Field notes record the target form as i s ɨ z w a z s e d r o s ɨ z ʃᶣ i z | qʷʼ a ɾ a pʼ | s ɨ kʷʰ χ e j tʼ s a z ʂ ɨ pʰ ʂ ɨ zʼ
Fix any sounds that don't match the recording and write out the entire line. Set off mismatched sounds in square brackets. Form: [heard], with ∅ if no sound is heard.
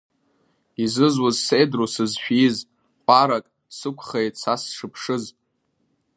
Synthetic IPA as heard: i [z] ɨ z w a z s e d r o s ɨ z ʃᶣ i z | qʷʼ a ɾ a [kʼ] | s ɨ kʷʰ χ e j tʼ s a [s] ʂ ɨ pʰ ʂ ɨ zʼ